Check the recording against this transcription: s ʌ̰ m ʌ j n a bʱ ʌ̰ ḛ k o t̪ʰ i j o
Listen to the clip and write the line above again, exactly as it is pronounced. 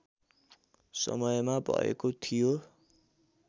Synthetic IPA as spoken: s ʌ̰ m ʌ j m a bʱ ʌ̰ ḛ k o t̪ʰ i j o